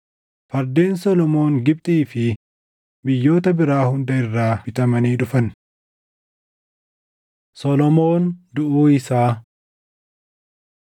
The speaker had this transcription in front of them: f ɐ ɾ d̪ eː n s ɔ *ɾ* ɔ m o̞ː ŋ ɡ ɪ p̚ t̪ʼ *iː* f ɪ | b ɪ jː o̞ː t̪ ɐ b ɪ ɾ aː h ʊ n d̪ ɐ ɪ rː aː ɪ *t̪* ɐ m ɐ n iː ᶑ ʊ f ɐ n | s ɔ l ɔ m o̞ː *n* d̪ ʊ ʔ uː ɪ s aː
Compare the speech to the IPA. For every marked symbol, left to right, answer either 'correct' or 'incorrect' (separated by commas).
incorrect, correct, correct, correct